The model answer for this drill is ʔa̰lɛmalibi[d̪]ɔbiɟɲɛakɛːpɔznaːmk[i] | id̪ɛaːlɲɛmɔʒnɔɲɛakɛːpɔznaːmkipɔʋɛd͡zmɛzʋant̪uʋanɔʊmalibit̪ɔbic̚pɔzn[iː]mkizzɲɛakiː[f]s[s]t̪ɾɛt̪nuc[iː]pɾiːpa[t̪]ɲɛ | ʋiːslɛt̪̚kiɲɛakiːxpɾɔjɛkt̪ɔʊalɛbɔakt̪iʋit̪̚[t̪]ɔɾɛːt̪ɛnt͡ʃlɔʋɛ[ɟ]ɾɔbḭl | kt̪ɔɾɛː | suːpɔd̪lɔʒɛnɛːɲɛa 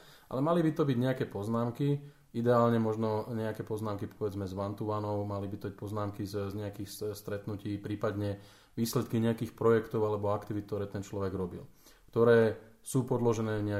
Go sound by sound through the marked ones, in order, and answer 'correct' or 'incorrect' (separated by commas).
incorrect, correct, incorrect, incorrect, correct, correct, incorrect, correct, incorrect